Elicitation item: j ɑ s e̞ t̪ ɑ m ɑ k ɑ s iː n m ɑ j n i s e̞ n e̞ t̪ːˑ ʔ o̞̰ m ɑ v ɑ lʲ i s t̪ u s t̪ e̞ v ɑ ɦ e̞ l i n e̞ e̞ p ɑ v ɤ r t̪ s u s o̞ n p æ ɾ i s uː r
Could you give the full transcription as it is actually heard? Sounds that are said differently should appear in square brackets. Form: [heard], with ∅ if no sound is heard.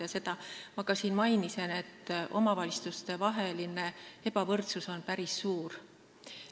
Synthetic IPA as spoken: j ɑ s e̞ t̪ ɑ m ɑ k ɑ s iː n m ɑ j n i s e̞ n e̞ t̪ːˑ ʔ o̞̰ m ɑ v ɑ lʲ i s t̪ u s t̪ e̞ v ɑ ɦ e̞ l i n e̞ e̞ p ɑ v ɤ r t̪ s u s o̞ n p æ ɾ i [sː] uː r